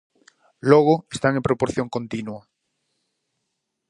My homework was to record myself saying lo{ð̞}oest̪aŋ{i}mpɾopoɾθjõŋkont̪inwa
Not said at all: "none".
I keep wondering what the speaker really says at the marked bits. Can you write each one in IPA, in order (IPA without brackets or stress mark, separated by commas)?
ɣ̞, e